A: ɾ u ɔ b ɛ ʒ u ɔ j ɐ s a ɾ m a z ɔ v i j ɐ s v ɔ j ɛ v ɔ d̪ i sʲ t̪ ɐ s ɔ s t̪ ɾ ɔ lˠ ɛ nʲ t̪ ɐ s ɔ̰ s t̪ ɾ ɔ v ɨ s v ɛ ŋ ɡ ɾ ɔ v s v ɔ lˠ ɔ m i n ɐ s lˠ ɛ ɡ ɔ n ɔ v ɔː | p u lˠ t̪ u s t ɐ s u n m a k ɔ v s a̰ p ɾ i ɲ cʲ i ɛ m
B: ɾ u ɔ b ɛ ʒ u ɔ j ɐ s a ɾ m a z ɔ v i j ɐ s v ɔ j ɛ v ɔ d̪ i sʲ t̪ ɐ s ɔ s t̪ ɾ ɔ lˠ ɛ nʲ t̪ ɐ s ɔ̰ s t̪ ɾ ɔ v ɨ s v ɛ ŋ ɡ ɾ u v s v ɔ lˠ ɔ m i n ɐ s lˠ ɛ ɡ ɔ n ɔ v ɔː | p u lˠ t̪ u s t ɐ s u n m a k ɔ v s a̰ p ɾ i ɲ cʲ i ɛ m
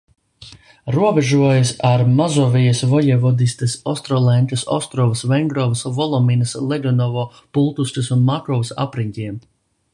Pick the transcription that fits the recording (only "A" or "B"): A